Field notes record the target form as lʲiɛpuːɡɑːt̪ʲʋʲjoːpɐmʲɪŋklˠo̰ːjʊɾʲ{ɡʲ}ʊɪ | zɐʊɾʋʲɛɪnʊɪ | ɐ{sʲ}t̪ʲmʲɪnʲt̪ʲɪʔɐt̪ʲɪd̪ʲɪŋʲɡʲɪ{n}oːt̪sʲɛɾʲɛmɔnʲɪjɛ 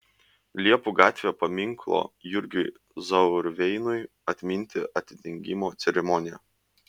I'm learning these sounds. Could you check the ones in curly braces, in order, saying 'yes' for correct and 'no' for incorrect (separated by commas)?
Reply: yes, no, no